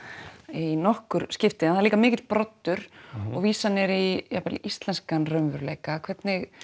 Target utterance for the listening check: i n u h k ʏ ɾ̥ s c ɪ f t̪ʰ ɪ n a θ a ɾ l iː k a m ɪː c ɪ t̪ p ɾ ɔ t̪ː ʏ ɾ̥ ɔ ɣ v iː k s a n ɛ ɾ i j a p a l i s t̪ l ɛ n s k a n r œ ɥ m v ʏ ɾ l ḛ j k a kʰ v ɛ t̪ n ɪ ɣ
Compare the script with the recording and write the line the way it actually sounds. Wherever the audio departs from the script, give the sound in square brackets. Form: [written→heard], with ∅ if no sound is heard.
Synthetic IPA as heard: i n [u→ɔ] h k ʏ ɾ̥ s c ɪ f [t̪ʰ→t̪] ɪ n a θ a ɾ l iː k a m ɪː c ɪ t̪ p ɾ ɔ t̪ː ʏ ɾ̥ ɔ ɣ v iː [k→∅] s a n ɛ ɾ i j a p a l i s t̪ l ɛ n s k a n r œ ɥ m v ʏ ɾ l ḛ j k a kʰ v ɛ t̪ n ɪ ɣ